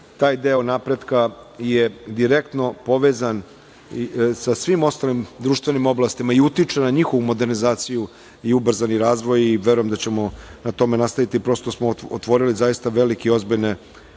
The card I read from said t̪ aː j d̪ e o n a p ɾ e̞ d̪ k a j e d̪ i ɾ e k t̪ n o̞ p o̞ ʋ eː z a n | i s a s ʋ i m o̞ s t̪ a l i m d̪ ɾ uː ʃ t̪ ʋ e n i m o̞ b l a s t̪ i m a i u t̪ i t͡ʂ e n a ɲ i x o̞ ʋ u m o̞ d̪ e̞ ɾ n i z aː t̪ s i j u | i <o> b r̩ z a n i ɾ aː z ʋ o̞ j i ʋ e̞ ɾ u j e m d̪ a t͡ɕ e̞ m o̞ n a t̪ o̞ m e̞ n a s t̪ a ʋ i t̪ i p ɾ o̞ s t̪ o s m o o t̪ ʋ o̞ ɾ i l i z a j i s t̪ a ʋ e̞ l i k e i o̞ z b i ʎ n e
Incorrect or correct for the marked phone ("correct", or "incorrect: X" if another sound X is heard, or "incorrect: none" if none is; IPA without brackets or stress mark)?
incorrect: u